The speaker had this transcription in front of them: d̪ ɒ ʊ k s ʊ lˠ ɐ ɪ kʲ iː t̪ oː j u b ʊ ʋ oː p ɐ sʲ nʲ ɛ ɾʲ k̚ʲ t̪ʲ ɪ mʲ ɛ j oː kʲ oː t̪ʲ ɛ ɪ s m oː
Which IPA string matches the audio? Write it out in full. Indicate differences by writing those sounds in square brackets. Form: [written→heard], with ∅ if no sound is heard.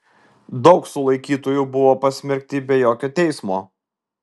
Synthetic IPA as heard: d̪ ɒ ʊ k s ʊ lˠ ɐ ɪ kʲ iː t̪ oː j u b ʊ ʋ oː p ɐ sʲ [nʲ→mʲ] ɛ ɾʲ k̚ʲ t̪ʲ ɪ [mʲ→bʲ] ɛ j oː kʲ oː t̪ʲ ɛ ɪ s m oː